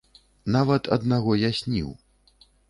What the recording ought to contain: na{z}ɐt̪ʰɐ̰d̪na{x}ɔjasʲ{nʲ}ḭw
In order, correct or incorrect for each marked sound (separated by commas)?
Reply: incorrect, incorrect, correct